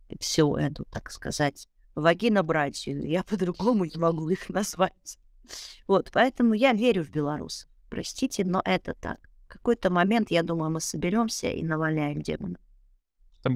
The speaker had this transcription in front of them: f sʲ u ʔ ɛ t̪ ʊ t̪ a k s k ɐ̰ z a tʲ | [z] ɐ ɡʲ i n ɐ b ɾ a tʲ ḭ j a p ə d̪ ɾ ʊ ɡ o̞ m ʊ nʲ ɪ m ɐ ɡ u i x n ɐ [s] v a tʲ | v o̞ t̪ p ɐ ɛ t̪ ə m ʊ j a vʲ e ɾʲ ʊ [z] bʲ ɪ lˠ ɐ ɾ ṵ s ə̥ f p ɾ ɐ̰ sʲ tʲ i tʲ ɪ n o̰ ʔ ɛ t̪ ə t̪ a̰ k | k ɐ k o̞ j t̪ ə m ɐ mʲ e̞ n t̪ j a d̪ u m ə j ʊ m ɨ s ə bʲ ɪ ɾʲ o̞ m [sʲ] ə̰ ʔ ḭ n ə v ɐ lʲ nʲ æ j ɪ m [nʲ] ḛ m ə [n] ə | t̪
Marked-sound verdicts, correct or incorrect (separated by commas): incorrect, incorrect, incorrect, correct, incorrect, correct